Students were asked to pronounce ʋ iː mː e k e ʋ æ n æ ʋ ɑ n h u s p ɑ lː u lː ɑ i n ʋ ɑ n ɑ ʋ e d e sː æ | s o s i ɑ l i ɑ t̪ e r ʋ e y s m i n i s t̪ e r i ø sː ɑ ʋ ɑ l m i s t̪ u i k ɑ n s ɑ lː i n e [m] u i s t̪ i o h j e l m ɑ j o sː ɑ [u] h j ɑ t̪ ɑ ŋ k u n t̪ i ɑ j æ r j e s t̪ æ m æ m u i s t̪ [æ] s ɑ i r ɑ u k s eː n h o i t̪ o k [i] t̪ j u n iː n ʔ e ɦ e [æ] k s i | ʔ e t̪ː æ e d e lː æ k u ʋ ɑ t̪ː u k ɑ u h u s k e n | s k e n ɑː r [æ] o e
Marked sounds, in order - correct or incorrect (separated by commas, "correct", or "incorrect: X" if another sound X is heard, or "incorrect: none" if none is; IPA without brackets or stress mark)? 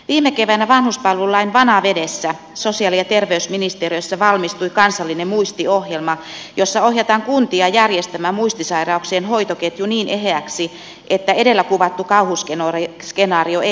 correct, incorrect: o, incorrect: i, incorrect: e, correct, incorrect: i